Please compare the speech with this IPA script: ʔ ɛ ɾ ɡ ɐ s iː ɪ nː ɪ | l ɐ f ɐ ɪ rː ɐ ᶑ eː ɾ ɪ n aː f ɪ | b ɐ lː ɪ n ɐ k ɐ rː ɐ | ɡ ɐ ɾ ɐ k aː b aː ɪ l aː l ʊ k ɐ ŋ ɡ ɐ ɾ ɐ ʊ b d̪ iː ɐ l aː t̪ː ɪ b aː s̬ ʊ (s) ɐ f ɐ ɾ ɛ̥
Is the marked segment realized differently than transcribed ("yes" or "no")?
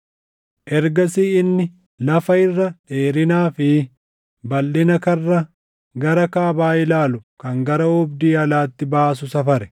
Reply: no